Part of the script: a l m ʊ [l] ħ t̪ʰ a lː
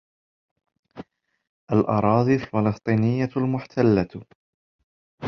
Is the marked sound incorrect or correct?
incorrect